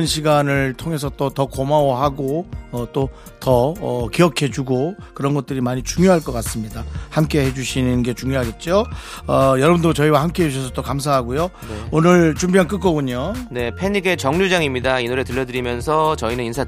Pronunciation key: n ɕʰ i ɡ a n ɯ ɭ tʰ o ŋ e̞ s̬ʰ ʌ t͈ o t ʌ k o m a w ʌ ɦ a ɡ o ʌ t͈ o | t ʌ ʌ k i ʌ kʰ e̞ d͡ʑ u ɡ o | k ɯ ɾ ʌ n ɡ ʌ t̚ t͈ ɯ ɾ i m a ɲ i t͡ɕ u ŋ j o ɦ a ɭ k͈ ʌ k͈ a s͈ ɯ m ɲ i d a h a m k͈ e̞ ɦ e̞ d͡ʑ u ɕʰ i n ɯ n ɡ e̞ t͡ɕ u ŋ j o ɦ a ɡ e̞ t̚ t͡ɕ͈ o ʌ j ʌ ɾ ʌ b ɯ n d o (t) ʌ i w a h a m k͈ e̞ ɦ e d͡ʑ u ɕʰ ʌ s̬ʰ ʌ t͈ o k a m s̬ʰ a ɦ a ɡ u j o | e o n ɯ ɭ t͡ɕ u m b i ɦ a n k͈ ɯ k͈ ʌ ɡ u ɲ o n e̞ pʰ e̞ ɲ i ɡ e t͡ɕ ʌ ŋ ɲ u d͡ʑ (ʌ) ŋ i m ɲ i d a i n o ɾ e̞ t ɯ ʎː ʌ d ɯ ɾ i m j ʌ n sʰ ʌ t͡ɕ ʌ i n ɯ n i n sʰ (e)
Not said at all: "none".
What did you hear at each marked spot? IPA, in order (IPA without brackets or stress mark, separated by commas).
t͡ɕ, a, a